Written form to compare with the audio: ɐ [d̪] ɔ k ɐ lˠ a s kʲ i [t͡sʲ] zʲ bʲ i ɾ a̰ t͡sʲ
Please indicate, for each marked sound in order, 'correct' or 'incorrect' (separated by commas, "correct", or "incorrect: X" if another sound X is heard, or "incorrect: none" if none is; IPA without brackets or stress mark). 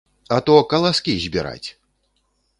incorrect: t̪, incorrect: none